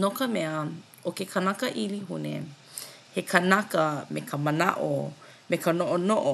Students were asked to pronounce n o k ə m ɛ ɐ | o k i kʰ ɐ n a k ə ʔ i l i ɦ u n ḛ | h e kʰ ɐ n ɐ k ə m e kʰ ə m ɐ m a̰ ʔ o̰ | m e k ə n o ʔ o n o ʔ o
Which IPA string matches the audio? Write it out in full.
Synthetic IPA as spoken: n o k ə m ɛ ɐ | o k e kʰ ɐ n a k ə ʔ i l i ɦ u n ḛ | h e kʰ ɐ n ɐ k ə m e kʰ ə m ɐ n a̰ ʔ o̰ | m e k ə n o ʔ o n o ʔ o

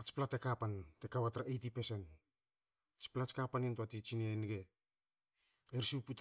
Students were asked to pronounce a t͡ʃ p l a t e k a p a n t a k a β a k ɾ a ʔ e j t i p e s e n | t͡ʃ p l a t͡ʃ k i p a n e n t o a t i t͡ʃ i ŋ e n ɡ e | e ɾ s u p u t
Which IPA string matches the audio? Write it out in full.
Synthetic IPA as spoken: a t͡ʃ p l a t e k a p a n t e k a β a t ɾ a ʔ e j t i p e s e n | t͡ʃ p l a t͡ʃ k a p a n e n t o a t i t͡ʃ i n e n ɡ e | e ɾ s u p u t

